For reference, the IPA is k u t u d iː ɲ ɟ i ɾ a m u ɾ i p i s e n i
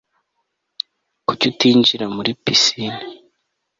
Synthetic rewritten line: k u c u t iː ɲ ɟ i ɾ a m u ɾ i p i s i n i